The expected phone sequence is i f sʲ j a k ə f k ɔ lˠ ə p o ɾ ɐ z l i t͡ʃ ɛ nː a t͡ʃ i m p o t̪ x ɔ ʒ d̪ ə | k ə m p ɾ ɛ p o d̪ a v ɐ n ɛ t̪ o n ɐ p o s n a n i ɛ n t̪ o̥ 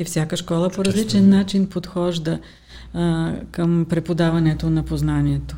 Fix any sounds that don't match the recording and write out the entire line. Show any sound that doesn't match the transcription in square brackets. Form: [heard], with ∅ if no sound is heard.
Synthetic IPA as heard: i f sʲ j a k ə [ʃ] k ɔ lˠ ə p o ɾ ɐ z l i t͡ʃ ɛ nː a t͡ʃ i [n] p o t̪ x ɔ ʒ d̪ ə | k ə m p ɾ ɛ p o d̪ a v ɐ n ɛ t̪ o n ɐ p o [z] n a n i ɛ [∅] t̪ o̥